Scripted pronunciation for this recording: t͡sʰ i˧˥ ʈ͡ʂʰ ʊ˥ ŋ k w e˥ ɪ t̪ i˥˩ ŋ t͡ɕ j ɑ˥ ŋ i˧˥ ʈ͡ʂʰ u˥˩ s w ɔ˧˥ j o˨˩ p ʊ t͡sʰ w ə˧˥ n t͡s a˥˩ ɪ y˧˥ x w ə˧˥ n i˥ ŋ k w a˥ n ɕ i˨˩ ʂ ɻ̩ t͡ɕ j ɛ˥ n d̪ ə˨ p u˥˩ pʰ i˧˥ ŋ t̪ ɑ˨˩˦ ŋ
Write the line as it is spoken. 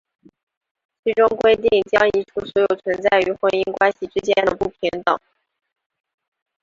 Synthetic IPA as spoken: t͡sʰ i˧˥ ʈ͡ʂ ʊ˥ ŋ k w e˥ ɪ t̪ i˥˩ ŋ t͡ɕ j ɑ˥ ŋ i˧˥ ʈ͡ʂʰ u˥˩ s w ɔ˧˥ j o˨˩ ʊ t͡sʰ w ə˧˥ n t͡s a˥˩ ɪ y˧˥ x w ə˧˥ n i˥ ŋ k w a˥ n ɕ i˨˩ ʈ͡ʂ ɻ̩ t͡ɕ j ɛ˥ n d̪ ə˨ p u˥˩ pʰ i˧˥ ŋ t̪ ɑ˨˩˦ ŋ